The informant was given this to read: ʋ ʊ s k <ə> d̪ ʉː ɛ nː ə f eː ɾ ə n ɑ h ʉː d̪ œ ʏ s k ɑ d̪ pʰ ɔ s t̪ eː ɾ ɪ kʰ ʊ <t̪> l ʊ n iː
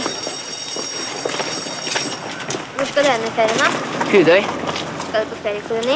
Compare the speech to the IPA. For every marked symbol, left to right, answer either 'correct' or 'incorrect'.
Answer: incorrect: ɑ, incorrect: none

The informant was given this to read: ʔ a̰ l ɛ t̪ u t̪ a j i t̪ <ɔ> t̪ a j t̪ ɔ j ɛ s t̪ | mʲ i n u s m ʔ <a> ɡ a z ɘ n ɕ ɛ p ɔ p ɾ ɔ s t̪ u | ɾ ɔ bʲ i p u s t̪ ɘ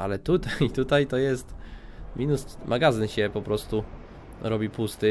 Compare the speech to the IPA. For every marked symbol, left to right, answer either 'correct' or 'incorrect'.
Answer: incorrect: u, correct

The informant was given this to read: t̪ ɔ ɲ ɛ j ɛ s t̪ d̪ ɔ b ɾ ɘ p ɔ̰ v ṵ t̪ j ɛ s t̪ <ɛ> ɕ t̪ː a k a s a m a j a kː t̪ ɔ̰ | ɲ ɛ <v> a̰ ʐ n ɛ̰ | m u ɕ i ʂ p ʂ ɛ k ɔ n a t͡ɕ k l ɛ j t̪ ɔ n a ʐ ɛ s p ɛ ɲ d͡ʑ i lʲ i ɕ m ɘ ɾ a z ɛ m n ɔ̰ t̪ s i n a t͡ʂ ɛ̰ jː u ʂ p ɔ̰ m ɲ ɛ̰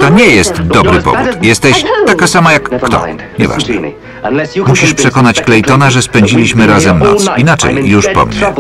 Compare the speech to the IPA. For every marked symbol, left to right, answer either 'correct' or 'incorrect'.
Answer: correct, correct

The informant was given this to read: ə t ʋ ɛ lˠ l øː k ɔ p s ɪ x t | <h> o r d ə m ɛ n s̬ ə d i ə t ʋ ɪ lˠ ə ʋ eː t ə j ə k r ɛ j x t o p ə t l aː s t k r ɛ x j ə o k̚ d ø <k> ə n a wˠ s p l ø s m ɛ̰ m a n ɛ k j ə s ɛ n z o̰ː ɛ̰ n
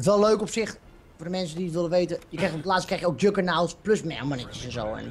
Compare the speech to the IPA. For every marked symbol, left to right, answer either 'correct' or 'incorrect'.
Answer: incorrect: f, correct

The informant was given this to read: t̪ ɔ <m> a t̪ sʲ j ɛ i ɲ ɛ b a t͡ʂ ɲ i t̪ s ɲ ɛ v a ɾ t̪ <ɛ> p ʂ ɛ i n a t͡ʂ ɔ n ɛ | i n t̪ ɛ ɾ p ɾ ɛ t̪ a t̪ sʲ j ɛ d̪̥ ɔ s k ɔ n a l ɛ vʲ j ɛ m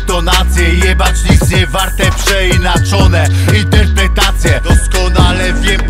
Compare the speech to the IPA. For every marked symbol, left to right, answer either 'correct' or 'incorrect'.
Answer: incorrect: n, correct

